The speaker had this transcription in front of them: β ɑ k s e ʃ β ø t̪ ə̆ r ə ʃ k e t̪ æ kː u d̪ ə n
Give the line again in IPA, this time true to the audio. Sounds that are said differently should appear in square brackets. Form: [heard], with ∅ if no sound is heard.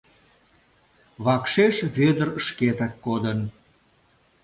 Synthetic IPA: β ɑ k [ʃ] e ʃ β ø [d̪] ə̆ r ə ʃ k e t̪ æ kː [o] d̪ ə n